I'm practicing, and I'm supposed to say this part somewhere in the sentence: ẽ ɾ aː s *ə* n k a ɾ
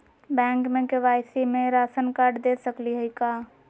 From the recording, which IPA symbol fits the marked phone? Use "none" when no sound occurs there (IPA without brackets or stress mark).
ə